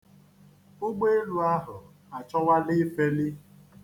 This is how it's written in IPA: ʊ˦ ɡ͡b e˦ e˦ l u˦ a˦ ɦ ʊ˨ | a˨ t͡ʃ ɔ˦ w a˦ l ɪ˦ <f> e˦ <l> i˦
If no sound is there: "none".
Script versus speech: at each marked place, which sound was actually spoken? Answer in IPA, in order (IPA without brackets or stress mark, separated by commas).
f, l